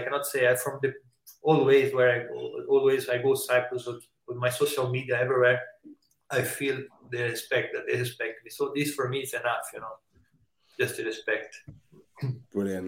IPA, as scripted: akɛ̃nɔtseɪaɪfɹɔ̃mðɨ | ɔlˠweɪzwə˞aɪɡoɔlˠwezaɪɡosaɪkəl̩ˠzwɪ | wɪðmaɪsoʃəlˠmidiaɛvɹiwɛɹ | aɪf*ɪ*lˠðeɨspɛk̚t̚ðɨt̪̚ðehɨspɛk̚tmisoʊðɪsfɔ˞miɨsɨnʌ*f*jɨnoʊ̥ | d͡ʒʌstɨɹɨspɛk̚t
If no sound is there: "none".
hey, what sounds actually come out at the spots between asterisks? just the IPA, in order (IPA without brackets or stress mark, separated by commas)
i, f